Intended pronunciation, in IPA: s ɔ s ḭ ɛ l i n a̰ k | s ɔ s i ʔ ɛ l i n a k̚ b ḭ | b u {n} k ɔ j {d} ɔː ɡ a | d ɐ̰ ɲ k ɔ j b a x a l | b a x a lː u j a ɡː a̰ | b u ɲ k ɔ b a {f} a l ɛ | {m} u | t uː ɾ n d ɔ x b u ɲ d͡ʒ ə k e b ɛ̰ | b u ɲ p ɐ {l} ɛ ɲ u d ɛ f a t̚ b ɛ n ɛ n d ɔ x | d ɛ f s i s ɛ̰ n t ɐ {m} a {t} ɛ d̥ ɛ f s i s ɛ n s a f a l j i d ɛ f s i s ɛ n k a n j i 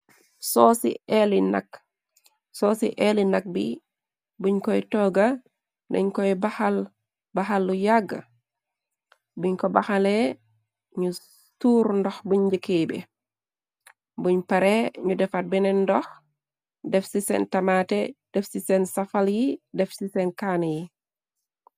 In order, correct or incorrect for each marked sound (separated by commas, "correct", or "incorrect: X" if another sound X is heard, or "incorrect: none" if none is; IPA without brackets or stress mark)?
incorrect: ɲ, incorrect: t, incorrect: x, incorrect: ɲ, incorrect: ɾ, correct, correct